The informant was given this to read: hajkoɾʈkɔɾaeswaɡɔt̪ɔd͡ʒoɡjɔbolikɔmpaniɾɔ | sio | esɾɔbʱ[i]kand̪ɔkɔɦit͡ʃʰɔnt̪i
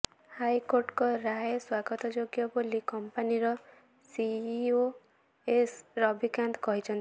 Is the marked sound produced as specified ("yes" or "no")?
yes